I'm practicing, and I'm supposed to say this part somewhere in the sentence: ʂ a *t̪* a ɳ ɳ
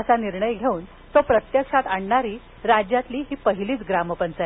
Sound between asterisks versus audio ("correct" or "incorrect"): correct